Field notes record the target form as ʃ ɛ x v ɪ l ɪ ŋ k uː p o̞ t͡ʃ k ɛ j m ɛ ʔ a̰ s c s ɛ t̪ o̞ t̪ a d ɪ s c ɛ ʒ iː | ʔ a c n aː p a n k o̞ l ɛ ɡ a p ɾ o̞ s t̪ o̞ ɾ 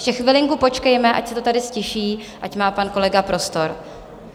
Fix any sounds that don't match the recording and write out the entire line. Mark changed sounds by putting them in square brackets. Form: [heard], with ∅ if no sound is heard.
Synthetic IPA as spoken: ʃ ɛ x v ɪ l ɪ ŋ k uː p o̞ t͡ʃ k ɛ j m ɛ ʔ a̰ [∅] c s ɛ t̪ o̞ t̪ a d ɪ s c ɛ [ʃ] iː | ʔ a c [m] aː p a n k o̞ l ɛ ɡ a p ɾ o̞ s t̪ o̞ ɾ